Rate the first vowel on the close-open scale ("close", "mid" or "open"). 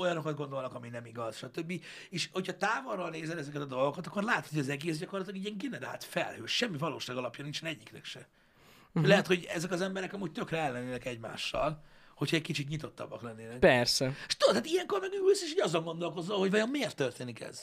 mid